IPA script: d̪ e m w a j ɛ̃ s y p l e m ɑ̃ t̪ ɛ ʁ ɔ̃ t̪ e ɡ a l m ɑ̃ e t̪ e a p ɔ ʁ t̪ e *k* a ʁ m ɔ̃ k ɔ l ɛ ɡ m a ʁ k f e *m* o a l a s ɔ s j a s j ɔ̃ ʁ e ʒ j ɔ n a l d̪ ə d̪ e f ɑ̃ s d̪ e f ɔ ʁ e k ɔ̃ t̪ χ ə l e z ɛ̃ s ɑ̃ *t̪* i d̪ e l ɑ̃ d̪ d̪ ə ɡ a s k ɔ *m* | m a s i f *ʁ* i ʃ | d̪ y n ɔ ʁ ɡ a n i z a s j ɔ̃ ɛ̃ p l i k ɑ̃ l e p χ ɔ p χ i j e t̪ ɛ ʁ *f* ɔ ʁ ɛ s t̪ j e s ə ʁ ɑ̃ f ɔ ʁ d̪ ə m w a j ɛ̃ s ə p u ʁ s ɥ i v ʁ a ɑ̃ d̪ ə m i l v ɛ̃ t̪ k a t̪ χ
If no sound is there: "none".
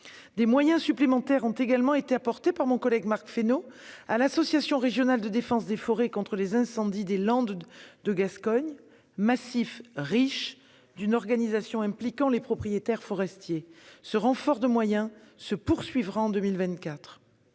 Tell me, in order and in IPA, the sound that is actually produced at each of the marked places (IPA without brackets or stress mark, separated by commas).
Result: p, n, d̪, ɲ, ʁ, f